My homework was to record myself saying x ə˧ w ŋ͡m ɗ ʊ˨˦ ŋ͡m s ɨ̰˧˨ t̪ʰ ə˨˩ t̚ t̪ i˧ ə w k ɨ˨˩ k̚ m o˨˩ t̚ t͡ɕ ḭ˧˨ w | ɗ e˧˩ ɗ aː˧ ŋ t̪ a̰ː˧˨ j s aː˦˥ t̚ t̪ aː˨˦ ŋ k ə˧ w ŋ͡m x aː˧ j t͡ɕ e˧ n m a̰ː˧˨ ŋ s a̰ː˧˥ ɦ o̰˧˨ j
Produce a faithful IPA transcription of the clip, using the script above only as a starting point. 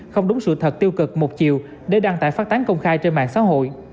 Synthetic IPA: x ə˧ w ŋ͡m ɗ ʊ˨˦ ŋ͡m s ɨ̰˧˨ t̪ʰ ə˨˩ t̚ t̪ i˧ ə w k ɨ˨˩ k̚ m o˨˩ t̚ t͡ɕ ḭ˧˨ w | ɗ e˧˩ ɗ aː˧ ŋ t̪ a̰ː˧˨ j f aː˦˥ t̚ t̪ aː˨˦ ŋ k ə˧ w ŋ͡m x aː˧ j t͡ɕ e˧ n m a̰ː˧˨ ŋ s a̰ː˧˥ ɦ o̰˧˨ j